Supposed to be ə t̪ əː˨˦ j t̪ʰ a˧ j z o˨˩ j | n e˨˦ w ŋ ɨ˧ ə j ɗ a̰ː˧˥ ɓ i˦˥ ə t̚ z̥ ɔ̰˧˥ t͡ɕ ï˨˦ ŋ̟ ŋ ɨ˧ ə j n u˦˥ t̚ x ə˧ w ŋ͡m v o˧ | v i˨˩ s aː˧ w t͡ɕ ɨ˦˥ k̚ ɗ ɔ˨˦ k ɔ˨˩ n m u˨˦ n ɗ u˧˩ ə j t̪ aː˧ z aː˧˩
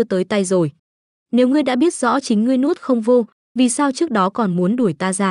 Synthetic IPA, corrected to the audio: ə t̪ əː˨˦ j t̪ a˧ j z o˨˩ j | n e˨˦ w ŋ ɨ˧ ə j ɗ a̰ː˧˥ ɓ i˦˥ ə t̚ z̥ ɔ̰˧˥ t͡ɕ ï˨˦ ŋ̟ ŋ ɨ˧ ə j n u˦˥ t̚ x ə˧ w ŋ͡m v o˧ | v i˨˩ s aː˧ w t͡ɕ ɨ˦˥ k̚ ɗ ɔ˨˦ k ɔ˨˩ n m u˨˦ n ɗ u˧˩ ə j t̪ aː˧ z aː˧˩